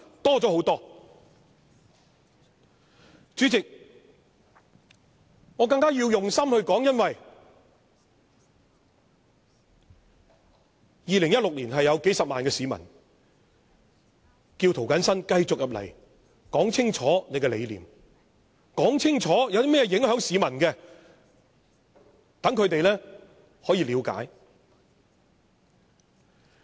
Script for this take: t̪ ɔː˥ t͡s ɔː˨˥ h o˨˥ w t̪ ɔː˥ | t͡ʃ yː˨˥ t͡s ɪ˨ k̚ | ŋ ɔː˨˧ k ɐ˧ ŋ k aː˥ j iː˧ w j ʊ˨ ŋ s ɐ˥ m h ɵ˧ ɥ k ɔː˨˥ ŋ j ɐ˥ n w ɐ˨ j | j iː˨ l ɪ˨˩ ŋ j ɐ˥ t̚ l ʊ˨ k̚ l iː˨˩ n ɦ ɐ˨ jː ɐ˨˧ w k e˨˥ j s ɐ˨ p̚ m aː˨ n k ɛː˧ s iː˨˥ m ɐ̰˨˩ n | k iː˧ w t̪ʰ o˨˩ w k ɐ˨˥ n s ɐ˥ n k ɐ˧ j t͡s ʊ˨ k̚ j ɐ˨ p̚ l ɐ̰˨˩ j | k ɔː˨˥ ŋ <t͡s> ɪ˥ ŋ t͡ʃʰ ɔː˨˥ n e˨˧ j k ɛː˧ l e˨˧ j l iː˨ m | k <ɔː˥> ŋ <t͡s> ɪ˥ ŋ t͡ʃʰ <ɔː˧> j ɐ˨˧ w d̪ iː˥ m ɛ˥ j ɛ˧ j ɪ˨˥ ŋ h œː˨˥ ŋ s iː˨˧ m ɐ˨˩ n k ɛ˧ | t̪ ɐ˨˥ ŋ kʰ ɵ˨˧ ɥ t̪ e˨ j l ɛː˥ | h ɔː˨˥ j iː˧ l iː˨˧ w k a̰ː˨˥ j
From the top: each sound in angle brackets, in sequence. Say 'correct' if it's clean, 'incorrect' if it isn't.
incorrect: t͡sʰ, incorrect: ɔː˨˥, incorrect: t͡sʰ, incorrect: ɔː˨˥

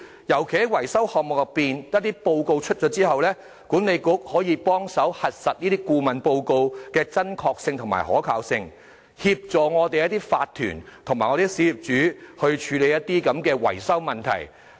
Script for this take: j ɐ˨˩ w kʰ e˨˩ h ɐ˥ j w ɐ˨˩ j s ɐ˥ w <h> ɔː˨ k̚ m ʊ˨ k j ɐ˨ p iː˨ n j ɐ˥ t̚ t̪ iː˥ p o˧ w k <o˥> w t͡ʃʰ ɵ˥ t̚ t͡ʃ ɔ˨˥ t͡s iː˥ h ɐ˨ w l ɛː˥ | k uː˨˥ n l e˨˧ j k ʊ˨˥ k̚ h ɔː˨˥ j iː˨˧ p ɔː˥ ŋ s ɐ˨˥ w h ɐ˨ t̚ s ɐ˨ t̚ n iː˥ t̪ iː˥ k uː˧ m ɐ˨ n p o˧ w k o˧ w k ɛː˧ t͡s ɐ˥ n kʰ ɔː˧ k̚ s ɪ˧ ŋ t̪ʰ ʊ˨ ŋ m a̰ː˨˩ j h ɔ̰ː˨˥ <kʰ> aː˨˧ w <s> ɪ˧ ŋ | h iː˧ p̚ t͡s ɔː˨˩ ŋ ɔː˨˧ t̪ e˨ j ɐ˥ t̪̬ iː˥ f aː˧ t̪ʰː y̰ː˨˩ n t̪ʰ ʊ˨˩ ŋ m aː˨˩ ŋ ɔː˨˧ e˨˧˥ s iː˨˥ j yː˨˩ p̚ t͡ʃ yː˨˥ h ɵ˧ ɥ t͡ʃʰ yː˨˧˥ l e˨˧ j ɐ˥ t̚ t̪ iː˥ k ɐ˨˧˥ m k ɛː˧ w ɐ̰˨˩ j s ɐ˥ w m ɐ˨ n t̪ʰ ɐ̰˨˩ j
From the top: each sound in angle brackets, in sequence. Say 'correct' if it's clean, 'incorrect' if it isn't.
correct, incorrect: o˧, correct, correct

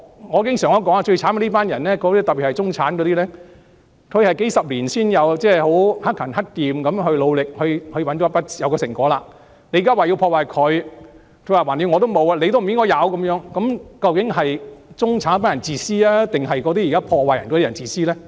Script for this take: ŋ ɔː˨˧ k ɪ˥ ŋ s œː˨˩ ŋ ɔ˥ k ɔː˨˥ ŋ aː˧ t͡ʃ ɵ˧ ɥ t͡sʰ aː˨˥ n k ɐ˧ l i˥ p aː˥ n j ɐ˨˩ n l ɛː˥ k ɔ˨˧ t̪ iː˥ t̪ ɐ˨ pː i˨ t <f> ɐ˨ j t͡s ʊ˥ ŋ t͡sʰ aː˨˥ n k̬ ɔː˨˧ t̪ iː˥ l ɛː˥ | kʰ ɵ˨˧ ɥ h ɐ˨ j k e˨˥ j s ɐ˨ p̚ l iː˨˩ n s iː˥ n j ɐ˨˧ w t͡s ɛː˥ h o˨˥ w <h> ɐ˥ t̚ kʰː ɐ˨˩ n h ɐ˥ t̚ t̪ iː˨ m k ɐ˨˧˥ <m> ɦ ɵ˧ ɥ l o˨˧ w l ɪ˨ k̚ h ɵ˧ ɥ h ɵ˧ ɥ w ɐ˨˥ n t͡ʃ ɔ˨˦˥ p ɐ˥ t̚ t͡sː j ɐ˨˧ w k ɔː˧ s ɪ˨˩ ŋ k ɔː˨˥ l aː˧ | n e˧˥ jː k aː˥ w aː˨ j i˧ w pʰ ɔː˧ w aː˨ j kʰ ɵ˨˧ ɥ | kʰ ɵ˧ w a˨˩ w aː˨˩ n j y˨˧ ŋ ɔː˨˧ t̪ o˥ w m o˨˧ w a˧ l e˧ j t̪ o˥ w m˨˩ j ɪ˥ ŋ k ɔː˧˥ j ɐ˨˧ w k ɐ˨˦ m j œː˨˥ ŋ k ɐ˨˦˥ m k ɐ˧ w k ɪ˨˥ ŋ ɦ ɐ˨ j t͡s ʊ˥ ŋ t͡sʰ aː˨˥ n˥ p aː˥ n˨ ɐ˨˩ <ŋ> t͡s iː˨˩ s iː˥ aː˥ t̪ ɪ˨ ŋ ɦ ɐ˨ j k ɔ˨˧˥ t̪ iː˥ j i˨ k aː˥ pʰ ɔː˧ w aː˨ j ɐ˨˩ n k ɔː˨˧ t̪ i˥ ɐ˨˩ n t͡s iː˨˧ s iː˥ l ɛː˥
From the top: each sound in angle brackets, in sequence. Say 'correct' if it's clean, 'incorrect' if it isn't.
incorrect: h, correct, correct, incorrect: n

